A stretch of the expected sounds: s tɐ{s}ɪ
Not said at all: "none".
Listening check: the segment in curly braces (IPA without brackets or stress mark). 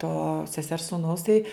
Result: none